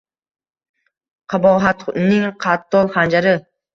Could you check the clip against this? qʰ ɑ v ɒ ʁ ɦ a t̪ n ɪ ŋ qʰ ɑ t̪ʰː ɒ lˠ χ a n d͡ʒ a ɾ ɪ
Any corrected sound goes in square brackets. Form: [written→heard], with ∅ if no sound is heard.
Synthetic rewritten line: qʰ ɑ [v→b] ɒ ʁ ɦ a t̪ n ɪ ŋ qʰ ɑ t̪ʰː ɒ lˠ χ a n d͡ʒ a ɾ ɪ